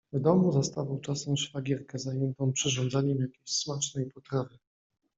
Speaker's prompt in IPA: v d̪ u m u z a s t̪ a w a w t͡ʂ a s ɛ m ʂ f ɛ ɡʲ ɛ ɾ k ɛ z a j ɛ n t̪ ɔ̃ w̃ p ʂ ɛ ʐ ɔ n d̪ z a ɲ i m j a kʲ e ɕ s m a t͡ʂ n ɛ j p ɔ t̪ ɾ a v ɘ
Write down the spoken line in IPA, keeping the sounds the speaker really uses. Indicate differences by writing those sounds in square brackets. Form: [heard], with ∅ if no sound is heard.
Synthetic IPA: v d̪ [ɔ] m u z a s t̪ a [v] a w t͡ʂ a s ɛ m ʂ f [a] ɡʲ ɛ ɾ k ɛ z a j ɛ n t̪ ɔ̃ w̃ p ʂ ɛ ʐ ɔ n d̪ z a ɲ [ɛ] m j a kʲ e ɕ s m a t͡ʂ n ɛ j p ɔ t̪ ɾ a v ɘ